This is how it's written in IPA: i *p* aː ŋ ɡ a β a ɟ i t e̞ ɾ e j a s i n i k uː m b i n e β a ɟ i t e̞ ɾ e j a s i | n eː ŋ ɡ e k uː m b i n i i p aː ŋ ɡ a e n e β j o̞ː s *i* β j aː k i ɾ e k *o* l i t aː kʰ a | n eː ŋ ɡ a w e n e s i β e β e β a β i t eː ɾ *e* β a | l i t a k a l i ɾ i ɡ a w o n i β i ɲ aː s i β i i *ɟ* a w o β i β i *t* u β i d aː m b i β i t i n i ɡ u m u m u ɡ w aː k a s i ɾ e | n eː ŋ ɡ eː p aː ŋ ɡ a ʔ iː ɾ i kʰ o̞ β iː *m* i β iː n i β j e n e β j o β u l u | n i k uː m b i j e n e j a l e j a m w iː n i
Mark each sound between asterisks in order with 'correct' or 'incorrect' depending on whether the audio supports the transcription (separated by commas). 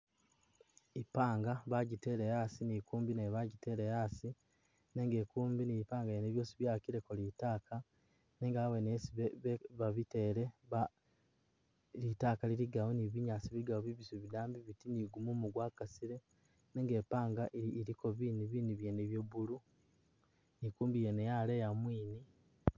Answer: correct, correct, correct, correct, incorrect, incorrect, incorrect